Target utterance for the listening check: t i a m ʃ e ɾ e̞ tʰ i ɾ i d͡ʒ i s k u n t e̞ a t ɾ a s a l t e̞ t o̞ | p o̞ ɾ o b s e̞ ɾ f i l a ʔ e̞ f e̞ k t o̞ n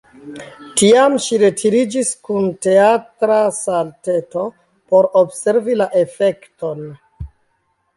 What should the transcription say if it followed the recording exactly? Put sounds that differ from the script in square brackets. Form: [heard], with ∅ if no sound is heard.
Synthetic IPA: t i a m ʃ [i] ɾ e̞ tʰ i ɾ i d͡ʒ i s k u n t e̞ a t ɾ a s a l t e̞ t o̞ | p o̞ ɾ o b s e̞ ɾ [v] i l a ʔ e̞ f e̞ k t o̞ n